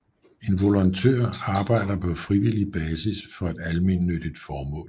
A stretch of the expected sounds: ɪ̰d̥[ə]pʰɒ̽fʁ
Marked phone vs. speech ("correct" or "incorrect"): incorrect